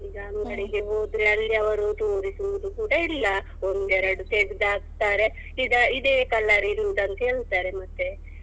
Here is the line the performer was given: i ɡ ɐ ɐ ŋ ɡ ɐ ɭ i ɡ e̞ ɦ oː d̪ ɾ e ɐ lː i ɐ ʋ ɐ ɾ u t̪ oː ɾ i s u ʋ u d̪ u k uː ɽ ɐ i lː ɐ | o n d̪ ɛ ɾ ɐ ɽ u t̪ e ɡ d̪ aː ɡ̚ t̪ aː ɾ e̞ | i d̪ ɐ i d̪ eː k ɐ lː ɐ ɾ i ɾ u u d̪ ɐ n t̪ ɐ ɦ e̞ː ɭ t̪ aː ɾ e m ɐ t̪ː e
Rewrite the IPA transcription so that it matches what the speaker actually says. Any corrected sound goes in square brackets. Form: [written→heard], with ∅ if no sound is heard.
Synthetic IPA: i ɡ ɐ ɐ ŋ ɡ ɐ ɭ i ɡ e̞ ɦ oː d̪ ɾ e ɐ lː i ɐ ʋ ɐ ɾ u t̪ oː ɾ i s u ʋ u d̪ u k uː ɽ ɐ i lː ɐ | o n d̪ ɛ ɾ ɐ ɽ u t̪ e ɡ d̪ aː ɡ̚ t̪ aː ɾ e̞ | i d̪ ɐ i d̪ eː k ɐ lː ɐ ɾ i ɾ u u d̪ ɐ n t̪ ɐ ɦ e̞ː ɭ t̪ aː ɾ e m ɐ t̪ː e